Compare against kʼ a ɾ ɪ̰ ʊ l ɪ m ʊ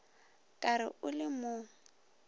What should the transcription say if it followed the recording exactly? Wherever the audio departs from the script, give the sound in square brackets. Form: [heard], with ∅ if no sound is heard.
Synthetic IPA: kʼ a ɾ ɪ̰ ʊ l ɪ m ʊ